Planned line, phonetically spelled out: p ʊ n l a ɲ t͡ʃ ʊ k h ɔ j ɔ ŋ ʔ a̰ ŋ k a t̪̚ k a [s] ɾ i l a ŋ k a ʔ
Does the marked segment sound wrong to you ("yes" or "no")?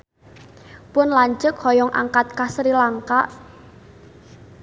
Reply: no